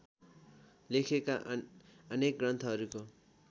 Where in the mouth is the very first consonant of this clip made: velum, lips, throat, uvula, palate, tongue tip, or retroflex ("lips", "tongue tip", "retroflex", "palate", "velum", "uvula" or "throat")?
tongue tip